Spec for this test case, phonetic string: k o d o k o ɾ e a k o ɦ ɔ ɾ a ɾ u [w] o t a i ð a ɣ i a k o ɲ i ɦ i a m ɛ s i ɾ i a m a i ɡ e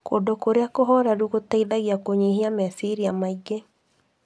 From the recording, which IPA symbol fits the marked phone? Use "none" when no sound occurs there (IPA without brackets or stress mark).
ɣ